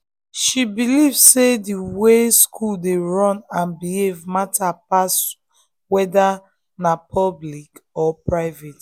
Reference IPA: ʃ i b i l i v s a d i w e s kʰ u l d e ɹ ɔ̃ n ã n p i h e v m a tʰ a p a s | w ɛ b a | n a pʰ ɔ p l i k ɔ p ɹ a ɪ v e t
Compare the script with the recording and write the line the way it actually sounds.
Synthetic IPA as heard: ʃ i b i l i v s e d i w e s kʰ u l d e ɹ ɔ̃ n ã n b i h e v m a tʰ a p a s | w ɛ d a | n a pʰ ɔ b l i k ɔ p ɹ a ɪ v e t